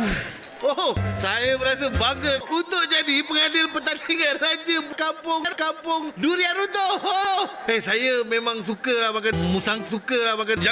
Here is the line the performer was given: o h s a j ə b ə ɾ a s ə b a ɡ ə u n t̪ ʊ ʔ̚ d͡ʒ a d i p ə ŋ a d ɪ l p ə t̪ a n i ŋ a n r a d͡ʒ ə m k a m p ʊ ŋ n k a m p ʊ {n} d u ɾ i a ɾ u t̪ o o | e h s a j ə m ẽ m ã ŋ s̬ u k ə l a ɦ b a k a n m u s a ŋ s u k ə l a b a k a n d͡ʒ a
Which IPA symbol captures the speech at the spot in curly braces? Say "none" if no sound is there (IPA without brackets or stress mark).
ŋ